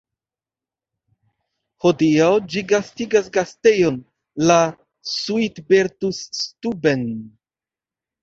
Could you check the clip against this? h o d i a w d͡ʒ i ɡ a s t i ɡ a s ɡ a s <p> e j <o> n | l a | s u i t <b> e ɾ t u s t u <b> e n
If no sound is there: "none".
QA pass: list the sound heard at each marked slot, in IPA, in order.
t, o, b, b

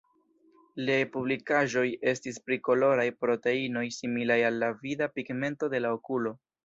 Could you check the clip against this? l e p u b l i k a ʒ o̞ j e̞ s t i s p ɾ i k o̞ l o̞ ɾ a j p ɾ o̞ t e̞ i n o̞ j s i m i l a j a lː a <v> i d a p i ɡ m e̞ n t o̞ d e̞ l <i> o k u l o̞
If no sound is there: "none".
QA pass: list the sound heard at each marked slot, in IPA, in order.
v, a

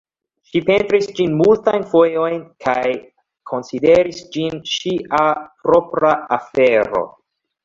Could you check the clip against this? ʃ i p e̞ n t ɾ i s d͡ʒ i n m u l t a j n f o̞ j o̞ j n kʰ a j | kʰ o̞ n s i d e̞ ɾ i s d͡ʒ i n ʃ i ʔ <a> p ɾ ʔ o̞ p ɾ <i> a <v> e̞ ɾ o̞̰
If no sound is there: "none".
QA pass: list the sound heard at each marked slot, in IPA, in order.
a, a, f

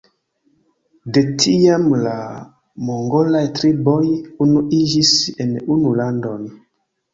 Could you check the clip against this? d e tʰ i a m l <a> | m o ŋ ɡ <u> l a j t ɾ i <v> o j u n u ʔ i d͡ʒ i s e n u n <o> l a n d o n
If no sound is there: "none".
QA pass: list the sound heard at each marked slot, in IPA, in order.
a, o, b, u

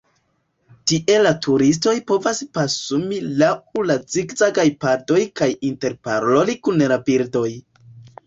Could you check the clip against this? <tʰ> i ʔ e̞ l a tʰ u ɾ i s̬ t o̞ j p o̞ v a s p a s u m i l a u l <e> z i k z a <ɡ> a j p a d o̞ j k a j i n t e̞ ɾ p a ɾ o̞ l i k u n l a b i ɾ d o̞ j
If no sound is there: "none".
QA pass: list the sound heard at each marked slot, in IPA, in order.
t, a, ɡ

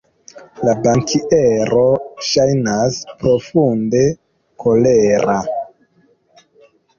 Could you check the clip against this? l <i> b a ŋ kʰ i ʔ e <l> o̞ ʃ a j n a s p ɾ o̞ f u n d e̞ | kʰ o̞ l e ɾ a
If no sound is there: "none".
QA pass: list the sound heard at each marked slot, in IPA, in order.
a, ɾ

